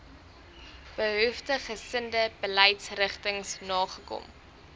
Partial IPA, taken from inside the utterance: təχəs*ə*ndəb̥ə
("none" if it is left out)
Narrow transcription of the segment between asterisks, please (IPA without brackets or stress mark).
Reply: ə